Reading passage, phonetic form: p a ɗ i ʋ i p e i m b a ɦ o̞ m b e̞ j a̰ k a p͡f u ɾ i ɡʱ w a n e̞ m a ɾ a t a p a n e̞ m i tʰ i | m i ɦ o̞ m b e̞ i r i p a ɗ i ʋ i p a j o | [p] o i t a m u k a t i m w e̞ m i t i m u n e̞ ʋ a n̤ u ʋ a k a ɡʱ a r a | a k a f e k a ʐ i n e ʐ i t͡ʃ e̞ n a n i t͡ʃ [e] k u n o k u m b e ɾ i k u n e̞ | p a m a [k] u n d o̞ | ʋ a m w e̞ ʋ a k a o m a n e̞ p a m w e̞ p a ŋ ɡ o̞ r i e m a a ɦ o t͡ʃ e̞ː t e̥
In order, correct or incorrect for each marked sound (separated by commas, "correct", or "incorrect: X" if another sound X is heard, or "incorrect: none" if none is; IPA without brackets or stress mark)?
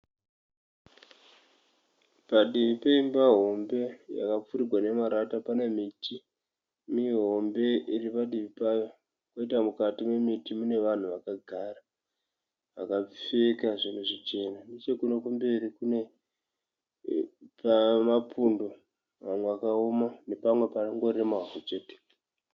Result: incorrect: k, correct, incorrect: p